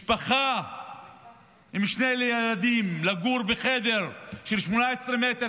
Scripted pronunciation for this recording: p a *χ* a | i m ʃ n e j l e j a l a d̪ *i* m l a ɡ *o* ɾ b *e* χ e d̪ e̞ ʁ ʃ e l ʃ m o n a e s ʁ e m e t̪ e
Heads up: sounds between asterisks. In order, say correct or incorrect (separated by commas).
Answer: correct, correct, incorrect, correct